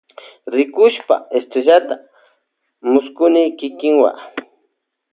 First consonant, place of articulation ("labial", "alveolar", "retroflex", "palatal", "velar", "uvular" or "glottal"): alveolar